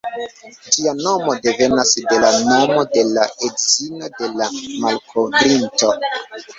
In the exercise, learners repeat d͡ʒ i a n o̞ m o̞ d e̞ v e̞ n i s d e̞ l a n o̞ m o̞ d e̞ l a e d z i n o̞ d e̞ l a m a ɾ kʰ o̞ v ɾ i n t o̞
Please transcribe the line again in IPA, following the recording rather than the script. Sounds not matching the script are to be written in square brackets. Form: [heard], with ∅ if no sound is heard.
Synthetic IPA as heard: d͡ʒ i a n o̞ m o̞ d e̞ v e̞ n [a] s d e̞ l a n o̞ m o̞ d e̞ l a e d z i n o̞ d e̞ l a m a [l] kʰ o̞ v ɾ i n t o̞